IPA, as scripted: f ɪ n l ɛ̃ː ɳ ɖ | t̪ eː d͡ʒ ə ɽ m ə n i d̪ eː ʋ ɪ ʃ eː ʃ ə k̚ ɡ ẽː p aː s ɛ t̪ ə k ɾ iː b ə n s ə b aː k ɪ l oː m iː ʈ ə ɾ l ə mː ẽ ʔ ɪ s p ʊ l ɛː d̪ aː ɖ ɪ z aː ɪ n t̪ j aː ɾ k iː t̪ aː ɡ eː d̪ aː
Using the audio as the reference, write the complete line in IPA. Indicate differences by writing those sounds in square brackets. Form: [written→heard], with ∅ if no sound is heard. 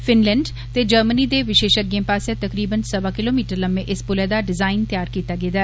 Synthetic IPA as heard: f ɪ n l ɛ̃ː ɳ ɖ | t̪ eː d͡ʒ ə [ɽ→ɾ] m ə n i d̪ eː ʋ ɪ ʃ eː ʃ ə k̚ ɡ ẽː p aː s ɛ t̪ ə k ɾ iː b ə n s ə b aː k ɪ l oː m iː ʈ ə ɾ l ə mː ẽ ʔ ɪ s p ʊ l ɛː d̪ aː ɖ ɪ z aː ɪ n t̪ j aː ɾ k iː t̪ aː ɡ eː d̪ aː